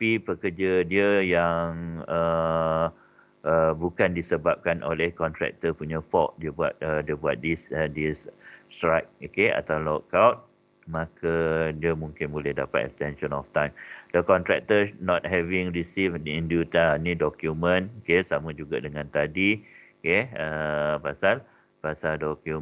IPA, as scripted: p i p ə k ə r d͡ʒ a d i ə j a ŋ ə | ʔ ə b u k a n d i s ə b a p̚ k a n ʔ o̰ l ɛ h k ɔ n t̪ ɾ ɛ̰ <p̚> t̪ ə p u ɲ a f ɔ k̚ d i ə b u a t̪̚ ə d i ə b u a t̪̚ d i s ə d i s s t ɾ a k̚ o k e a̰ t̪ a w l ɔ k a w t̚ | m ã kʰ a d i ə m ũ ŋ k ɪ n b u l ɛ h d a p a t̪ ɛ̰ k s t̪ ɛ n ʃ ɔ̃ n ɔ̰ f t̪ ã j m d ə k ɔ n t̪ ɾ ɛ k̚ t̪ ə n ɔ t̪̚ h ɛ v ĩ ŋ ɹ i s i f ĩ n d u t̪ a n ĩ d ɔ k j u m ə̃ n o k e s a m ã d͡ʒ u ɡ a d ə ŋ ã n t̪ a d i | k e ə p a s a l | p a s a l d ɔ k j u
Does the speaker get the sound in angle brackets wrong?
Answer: yes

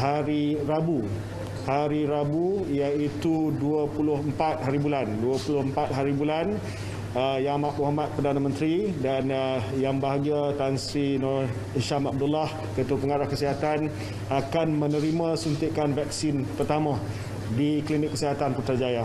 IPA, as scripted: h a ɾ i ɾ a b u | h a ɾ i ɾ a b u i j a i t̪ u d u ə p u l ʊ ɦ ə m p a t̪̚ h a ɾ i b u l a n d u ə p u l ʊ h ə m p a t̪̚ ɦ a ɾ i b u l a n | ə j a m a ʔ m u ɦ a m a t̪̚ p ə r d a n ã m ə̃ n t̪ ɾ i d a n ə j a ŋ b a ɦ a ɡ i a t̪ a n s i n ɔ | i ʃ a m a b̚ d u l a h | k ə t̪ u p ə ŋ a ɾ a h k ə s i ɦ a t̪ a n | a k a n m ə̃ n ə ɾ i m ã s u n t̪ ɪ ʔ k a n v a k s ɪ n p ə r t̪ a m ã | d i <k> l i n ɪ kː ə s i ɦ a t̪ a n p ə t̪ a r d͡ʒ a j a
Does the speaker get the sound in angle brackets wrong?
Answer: no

